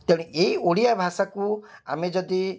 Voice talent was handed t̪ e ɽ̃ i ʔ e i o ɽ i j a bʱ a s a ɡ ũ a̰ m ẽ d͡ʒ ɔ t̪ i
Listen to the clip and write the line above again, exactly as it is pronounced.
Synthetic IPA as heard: t̪ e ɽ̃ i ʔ e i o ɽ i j a bʱ a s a k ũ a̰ m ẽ d͡ʒ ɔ d̪ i